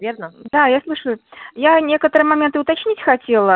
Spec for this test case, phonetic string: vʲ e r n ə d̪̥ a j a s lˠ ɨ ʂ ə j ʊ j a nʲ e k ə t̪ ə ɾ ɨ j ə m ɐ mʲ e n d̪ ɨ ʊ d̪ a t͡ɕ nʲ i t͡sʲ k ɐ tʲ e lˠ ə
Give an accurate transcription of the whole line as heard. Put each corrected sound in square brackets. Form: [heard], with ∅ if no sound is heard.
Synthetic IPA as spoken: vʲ e r n ə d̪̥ a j a s lˠ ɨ ʂ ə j ʊ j a nʲ e k ə t̪ ə ɾ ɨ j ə m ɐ mʲ e n [t̪] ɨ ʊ [t̪] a t͡ɕ nʲ i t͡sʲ [x] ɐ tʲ e lˠ ə